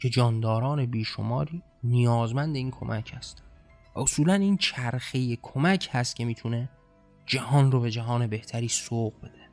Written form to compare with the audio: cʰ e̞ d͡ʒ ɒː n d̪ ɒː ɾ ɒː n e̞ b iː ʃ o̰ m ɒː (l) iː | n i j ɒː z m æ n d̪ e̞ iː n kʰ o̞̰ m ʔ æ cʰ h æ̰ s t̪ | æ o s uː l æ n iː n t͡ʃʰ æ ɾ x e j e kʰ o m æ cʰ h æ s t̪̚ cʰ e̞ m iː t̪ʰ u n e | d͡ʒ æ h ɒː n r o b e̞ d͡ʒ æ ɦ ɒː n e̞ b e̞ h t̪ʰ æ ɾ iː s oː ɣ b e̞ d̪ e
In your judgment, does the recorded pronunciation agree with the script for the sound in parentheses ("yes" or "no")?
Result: no